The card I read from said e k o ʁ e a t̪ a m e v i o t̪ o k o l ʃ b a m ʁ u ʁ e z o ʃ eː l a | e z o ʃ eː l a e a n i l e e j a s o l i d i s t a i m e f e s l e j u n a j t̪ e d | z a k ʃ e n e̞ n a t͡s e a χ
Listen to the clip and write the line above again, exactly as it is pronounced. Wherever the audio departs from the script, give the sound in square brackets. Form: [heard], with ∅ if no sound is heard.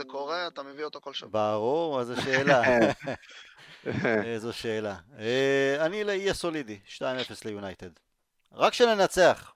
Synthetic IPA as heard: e k o ʁ e a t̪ a m e v i o t̪ o k o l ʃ b a [∅] ʁ u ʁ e z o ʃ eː l a | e z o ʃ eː l a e a n i l e [i] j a s o l i d i [ʃ] t a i m e f e s l e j u n a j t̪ e d | [ʁ] a k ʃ e n e̞ n a t͡s e a χ